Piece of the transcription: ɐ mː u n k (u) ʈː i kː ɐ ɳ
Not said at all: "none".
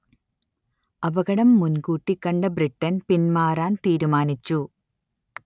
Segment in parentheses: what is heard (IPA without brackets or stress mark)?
uː